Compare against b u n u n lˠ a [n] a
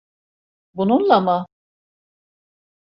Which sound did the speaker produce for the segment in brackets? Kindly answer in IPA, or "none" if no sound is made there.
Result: m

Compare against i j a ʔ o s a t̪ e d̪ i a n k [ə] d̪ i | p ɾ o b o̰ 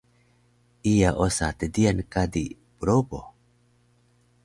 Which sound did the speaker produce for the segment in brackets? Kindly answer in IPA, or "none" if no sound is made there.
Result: a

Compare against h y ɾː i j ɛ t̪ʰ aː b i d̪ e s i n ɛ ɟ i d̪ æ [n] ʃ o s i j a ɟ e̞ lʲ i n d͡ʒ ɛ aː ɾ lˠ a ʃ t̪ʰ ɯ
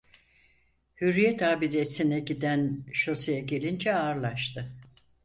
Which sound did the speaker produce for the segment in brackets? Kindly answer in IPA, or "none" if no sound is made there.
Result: n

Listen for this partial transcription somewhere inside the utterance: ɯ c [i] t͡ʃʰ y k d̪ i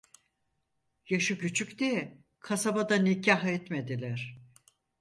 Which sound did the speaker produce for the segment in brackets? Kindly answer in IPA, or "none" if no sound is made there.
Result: y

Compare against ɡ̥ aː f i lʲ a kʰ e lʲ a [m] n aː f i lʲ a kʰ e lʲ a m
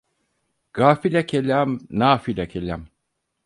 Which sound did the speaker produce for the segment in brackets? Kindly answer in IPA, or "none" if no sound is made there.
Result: m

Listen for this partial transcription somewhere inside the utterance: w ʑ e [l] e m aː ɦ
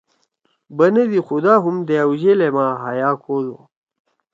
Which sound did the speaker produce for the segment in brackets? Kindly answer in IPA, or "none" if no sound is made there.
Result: l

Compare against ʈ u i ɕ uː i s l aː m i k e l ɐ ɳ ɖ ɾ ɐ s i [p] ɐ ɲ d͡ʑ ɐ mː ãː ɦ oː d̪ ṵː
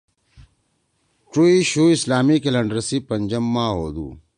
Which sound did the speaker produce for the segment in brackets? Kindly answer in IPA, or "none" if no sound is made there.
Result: p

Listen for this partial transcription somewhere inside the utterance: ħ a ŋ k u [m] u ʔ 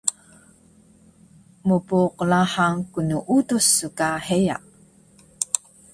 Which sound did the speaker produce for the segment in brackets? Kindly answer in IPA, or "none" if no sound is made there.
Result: n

